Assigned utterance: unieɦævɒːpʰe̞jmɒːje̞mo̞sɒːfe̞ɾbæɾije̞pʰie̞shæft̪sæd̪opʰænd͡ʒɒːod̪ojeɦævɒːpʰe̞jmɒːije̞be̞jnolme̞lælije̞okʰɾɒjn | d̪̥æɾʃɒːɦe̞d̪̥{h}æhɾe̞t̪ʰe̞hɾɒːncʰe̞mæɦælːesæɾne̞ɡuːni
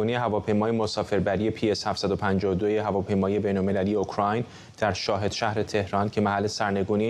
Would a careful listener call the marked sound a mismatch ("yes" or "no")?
yes